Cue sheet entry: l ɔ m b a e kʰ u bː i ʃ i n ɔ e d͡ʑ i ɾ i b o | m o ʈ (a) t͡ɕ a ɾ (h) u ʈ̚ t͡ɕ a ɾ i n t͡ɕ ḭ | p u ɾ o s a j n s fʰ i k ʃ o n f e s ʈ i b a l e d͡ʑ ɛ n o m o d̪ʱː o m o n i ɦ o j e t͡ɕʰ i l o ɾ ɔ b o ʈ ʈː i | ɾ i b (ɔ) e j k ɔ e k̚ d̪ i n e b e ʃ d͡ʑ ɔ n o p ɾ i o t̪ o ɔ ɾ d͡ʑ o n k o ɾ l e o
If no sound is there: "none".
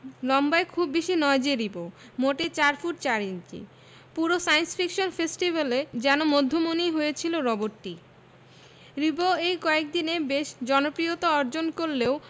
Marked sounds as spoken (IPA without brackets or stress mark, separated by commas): e, f, o